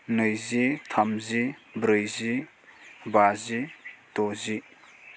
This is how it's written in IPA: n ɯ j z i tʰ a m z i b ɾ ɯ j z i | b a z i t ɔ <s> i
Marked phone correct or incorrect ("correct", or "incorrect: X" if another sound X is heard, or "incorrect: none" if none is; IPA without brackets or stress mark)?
incorrect: z